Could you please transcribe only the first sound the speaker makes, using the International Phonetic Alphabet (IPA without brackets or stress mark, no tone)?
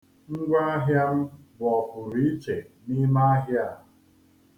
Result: ŋ̩